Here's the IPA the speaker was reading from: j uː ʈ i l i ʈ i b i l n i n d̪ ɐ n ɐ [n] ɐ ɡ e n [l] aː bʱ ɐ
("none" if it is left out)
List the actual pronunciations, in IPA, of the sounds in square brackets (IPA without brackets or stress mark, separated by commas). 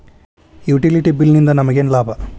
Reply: m, l